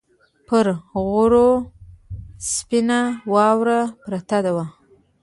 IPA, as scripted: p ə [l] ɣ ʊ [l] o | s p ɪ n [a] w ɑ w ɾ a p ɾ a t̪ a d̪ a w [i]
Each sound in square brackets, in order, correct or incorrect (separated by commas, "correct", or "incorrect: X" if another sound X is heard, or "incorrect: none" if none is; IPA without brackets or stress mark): incorrect: ɾ, incorrect: ɾ, correct, incorrect: a